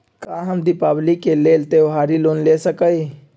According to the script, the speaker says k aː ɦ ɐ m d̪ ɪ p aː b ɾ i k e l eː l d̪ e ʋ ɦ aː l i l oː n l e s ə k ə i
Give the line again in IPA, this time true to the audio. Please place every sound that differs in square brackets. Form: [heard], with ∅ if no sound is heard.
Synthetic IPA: k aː ɦ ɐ m d̪ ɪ p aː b [l] i k e l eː l [t̪] e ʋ ɦ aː [ɾ] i l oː n l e s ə k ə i